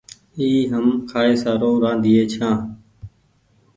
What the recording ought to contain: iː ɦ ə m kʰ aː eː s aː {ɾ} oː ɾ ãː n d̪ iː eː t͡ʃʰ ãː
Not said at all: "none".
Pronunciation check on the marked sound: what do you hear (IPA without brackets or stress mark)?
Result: ɾ